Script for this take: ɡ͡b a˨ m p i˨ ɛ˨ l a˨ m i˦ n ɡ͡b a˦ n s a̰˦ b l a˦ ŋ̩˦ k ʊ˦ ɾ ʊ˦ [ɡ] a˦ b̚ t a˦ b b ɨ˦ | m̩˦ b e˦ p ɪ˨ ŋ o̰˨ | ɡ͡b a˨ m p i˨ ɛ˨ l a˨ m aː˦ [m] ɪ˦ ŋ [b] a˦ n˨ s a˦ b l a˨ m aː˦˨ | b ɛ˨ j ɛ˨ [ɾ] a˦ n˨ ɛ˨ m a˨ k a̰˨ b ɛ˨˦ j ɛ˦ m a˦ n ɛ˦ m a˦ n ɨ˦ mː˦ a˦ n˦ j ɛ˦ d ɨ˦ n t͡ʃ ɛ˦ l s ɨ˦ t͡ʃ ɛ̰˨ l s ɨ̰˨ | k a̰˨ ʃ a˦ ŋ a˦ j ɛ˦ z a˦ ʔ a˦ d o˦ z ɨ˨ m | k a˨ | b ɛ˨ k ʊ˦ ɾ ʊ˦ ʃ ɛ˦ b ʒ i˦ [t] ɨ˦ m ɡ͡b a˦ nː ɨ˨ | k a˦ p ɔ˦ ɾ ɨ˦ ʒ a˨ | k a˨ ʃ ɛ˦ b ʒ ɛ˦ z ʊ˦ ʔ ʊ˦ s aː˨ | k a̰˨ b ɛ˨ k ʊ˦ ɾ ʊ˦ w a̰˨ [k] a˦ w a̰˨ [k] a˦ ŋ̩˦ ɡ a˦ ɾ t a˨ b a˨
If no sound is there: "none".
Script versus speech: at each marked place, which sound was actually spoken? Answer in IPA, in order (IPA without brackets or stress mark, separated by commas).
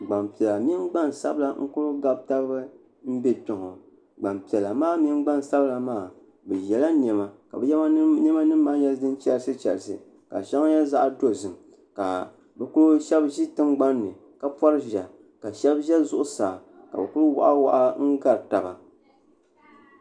ɡ, m, ɡ͡b, l, t, ʔ, ʔ